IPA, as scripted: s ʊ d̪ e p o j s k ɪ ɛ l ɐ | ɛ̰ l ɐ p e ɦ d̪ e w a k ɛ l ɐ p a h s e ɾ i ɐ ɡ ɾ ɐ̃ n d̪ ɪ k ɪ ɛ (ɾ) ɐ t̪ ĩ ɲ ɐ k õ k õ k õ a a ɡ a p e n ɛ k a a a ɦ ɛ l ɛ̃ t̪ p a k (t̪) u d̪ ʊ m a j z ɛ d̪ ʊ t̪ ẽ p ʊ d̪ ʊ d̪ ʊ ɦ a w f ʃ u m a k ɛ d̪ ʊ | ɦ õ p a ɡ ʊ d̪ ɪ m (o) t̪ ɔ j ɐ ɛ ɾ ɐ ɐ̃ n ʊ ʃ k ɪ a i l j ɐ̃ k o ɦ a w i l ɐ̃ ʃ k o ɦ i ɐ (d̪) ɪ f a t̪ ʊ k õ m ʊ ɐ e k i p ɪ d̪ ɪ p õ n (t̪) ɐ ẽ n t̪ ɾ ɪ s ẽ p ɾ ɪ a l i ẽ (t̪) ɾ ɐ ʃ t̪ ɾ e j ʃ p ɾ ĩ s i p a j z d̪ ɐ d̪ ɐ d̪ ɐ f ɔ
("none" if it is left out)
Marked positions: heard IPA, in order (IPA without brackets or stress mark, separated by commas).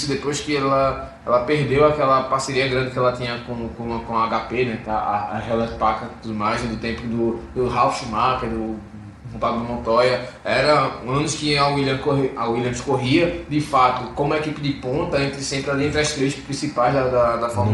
l, t̪, õ, d̪, t̪, t̪